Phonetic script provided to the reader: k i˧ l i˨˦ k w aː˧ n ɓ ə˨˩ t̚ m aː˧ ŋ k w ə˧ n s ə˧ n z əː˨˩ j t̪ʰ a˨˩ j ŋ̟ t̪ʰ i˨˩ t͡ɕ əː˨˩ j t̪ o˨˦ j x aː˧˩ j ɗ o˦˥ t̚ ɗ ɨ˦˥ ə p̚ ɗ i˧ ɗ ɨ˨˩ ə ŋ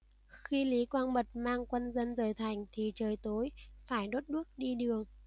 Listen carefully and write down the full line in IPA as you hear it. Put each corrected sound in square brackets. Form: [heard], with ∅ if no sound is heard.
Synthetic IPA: [x] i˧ l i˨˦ k w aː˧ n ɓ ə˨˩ t̚ m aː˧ ŋ k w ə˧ n [z] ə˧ n z əː˨˩ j t̪ʰ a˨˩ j ŋ̟ t̪ʰ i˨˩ t͡ɕ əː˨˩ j t̪ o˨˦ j [f] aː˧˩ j ɗ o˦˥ t̚ ɗ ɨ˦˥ ə [k̚] ɗ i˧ ɗ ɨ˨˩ ə ŋ